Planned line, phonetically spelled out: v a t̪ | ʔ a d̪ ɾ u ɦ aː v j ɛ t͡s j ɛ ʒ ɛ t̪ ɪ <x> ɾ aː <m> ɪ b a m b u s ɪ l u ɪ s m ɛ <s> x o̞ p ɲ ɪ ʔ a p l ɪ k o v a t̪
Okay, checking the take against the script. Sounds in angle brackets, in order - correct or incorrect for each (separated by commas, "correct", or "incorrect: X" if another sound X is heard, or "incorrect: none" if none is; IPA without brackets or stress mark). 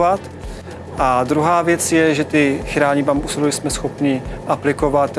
correct, incorrect: ɲ, correct